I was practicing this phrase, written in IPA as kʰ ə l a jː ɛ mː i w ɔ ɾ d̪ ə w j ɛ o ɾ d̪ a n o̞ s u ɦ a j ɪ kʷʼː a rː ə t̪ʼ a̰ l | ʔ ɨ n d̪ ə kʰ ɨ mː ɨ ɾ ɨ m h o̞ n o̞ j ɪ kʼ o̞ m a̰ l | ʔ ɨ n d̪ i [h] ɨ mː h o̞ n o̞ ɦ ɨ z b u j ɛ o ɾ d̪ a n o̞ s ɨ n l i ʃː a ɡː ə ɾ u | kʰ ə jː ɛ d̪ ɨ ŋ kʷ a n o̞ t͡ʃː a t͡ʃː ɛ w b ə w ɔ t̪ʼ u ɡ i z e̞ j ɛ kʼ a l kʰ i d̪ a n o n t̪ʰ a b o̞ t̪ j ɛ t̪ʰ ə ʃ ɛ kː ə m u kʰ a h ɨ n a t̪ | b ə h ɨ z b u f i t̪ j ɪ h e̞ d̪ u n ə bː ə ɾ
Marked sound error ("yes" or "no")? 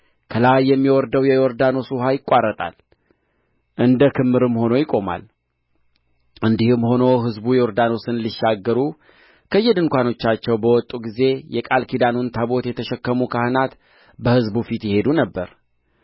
no